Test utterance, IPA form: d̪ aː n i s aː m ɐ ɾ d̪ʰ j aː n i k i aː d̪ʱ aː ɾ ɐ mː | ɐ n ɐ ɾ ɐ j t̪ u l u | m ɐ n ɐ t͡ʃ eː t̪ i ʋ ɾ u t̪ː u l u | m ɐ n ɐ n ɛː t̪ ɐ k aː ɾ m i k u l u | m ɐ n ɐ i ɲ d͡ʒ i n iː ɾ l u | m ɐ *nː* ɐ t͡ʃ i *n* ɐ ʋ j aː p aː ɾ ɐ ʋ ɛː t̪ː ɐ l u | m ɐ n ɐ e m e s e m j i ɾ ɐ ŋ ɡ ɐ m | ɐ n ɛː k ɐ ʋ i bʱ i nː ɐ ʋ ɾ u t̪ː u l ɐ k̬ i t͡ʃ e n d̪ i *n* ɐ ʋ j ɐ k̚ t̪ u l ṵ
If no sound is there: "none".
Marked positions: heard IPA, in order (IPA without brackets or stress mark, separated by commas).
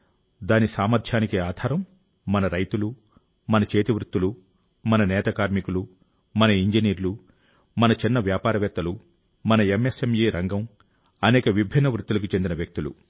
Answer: n, nː, n